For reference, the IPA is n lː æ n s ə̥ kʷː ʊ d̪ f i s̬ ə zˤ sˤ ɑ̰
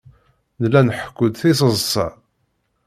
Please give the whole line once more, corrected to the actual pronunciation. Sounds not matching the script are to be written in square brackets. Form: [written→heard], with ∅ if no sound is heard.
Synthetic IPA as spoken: n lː æ n [s→ħ] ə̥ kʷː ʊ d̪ [f→θ] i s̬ ə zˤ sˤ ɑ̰